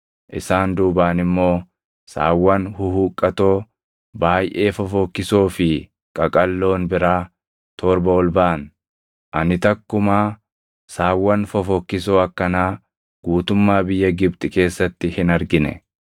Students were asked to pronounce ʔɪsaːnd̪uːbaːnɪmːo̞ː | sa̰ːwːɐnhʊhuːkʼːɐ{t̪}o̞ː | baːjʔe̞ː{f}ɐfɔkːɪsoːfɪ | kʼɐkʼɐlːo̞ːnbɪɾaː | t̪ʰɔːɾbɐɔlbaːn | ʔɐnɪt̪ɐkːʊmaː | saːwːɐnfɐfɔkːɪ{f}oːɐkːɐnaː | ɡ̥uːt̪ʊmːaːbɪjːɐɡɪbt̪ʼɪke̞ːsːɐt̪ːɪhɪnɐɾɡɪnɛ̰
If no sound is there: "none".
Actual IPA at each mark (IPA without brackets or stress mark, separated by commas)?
t̪, f, s